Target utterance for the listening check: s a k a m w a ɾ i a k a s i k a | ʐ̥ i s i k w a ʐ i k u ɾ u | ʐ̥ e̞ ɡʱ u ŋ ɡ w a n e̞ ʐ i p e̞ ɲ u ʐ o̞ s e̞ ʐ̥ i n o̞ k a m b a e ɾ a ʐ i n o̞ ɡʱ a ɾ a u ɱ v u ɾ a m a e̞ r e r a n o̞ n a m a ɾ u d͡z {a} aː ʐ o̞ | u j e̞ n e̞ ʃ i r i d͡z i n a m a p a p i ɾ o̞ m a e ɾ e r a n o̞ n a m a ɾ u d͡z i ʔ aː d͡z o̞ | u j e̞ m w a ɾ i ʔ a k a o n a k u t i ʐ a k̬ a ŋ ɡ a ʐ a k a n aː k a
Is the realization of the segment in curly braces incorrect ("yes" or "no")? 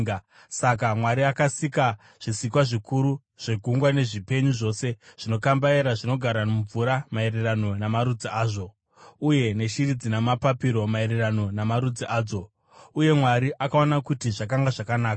yes